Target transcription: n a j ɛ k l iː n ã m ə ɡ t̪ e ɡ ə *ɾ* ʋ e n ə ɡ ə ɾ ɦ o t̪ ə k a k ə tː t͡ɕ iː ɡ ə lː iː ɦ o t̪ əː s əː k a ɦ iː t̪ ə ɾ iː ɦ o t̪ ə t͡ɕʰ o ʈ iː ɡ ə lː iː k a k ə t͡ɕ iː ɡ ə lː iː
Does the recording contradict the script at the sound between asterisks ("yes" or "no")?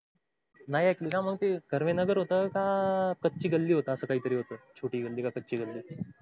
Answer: no